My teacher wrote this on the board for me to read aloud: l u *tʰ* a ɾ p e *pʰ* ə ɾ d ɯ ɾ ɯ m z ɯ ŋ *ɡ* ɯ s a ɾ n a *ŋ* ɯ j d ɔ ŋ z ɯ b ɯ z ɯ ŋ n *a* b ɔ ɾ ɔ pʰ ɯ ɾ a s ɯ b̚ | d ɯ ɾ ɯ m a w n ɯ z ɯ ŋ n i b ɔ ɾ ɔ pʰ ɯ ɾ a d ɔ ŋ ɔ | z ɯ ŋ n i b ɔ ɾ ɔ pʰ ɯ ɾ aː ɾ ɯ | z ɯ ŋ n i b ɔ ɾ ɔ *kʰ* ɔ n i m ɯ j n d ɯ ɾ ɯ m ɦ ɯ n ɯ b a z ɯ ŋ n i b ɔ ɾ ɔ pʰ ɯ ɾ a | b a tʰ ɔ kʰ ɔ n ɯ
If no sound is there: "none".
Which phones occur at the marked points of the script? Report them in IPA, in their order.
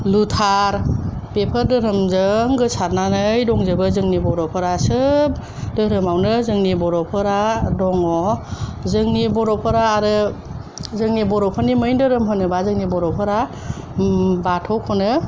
tʰ, pʰ, ɡ, n, i, pʰ

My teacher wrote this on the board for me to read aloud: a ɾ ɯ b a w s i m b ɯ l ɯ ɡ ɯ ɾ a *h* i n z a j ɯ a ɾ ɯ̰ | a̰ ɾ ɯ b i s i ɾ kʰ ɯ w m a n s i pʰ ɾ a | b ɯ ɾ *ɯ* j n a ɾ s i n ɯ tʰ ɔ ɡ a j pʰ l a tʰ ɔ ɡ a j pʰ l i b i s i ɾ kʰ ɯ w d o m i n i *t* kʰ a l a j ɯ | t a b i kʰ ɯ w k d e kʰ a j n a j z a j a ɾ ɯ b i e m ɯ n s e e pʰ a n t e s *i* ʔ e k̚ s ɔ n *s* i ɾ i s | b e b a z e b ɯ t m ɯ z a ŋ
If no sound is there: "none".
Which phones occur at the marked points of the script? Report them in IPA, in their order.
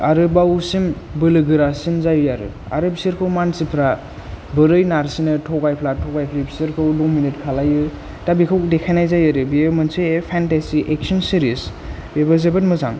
s, ɯ, t, i, s

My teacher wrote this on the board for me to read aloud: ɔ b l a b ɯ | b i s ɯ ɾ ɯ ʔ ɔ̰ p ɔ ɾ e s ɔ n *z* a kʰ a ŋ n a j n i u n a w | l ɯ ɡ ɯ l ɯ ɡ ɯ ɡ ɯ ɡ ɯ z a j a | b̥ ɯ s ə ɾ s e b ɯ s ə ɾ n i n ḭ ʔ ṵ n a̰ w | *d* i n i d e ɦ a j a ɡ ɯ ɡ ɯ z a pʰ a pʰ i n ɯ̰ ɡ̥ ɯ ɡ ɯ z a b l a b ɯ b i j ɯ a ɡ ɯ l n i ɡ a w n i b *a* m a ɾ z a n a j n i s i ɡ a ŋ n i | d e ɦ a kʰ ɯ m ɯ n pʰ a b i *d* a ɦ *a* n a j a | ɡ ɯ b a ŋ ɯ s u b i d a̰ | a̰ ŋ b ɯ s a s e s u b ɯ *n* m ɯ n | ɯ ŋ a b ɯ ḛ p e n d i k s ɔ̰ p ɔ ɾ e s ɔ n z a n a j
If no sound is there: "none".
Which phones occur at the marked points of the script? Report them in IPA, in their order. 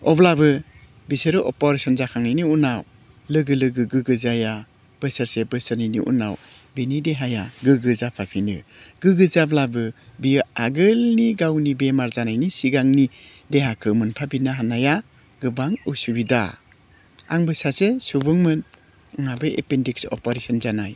z, b, e, n, a, ŋ

